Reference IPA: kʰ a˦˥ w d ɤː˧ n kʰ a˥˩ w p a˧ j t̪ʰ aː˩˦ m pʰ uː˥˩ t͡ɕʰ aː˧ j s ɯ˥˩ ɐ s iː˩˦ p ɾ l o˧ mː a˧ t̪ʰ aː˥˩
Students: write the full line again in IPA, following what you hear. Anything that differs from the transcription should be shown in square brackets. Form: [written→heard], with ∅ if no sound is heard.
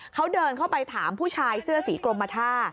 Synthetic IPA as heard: kʰ a˦˥ w d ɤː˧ n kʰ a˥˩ w p a˧ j t̪ʰ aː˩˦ m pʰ uː˥˩ t͡ɕʰ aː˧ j s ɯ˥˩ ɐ s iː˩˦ [p→k] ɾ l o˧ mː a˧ t̪ʰ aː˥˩